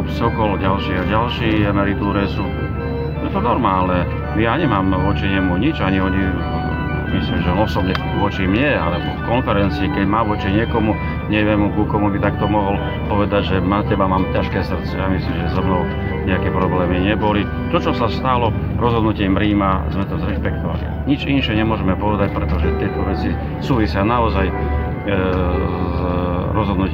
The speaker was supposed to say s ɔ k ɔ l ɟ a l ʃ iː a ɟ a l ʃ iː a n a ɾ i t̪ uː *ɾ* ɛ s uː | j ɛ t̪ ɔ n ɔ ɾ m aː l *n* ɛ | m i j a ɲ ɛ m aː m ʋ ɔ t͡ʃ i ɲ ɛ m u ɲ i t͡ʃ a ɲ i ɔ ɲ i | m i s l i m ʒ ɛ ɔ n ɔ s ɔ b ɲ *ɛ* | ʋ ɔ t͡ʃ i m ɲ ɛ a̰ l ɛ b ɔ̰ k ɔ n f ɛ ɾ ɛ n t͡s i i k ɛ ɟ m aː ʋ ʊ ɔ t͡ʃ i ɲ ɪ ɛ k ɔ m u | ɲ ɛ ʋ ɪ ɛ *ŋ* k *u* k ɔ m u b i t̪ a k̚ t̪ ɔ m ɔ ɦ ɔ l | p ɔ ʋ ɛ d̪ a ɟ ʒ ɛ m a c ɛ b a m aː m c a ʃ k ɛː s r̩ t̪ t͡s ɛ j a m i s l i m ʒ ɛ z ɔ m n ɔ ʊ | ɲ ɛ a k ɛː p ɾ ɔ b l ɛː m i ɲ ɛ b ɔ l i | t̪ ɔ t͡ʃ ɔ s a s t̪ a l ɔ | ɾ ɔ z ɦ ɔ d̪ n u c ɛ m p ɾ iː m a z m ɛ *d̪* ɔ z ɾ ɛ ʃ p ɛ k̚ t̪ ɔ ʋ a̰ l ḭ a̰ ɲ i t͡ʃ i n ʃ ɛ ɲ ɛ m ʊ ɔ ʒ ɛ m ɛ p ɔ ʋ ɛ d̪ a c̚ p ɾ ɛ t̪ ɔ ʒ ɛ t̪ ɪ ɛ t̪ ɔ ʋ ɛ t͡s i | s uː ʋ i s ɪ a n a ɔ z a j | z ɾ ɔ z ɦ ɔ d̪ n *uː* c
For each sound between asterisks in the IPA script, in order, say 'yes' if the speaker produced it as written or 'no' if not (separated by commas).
yes, yes, yes, no, yes, no, no